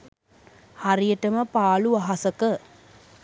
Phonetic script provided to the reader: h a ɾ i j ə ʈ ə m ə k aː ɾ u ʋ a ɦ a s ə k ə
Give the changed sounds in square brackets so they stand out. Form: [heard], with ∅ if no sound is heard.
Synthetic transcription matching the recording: h a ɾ i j ə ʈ ə m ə [p] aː [l] u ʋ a ɦ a s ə k ə